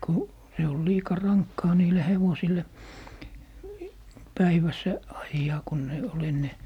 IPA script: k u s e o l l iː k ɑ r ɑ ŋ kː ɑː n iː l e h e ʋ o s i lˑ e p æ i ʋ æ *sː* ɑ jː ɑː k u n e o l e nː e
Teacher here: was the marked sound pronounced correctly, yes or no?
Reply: yes